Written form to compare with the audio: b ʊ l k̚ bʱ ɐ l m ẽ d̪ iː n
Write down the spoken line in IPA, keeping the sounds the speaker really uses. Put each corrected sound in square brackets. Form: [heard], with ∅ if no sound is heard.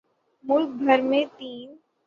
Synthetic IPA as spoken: [m] ʊ l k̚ bʱ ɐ [ɾ] m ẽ [t̪] iː n